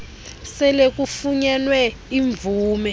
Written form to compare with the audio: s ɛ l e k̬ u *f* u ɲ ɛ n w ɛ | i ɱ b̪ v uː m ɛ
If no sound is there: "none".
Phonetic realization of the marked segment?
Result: f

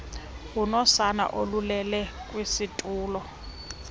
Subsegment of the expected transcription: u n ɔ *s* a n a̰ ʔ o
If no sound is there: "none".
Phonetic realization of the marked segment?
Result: s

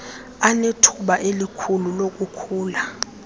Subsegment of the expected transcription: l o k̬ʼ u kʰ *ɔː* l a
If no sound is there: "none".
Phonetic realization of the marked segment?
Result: uː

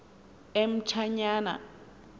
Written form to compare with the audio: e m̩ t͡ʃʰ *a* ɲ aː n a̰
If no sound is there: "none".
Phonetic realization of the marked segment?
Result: a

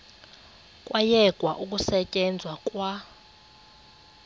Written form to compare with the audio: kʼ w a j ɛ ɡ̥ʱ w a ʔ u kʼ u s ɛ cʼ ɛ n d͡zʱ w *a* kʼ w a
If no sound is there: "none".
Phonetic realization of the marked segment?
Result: a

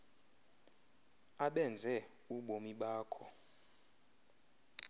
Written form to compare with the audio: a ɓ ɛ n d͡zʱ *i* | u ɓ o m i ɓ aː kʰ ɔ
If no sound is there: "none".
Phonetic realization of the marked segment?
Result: ɛ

